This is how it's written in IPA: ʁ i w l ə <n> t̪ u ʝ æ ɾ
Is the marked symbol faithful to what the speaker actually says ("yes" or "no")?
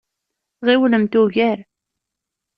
no